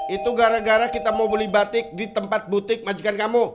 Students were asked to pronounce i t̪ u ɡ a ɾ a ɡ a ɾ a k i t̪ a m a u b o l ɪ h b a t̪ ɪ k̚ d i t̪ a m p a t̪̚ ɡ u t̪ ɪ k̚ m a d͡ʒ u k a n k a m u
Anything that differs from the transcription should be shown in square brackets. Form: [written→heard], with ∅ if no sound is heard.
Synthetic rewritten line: i t̪ u ɡ a ɾ a ɡ a ɾ a k i t̪ a m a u b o l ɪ h b a t̪ ɪ k̚ d i t̪ [a→ə] m p a t̪̚ [ɡ→b] u t̪ ɪ k̚ m a d͡ʒ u k a n k a m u